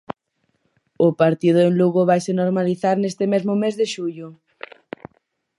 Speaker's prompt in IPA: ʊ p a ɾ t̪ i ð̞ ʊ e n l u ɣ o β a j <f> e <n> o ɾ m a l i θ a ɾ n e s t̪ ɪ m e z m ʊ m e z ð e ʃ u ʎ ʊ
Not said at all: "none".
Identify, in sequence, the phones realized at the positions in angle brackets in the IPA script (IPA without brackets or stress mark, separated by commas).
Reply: s, n